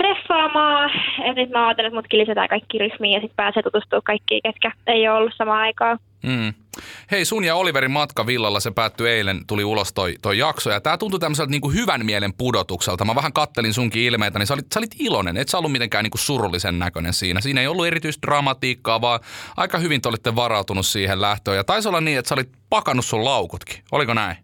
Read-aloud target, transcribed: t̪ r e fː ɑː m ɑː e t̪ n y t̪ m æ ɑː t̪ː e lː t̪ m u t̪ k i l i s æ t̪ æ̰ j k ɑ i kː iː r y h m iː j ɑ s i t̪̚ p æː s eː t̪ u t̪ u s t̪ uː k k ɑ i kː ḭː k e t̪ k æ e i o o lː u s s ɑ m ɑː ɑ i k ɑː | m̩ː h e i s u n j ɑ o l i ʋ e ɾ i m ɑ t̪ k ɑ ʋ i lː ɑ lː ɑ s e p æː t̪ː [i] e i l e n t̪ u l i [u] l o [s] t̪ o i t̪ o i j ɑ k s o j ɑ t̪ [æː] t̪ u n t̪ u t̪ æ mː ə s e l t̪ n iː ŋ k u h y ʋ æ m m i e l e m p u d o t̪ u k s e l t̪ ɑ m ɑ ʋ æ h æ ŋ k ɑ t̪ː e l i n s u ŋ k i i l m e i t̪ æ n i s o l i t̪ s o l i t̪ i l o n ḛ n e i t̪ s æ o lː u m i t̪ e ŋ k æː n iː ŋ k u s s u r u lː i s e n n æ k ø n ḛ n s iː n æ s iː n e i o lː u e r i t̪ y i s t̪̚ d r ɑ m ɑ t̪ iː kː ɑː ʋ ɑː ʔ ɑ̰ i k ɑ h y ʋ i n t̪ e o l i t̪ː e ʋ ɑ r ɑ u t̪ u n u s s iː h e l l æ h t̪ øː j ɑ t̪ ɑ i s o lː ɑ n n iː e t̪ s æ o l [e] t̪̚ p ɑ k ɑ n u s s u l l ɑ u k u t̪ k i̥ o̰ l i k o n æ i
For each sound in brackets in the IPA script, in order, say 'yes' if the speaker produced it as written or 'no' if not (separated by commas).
no, yes, yes, yes, no